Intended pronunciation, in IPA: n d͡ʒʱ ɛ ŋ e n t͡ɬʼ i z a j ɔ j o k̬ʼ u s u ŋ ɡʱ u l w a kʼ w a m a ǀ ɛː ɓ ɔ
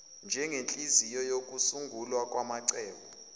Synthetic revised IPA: n d͡ʒʱ ɛ ŋ e n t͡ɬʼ i z i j ɔ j o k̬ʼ u s u ŋ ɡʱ u l w a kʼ w a m a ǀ ɛː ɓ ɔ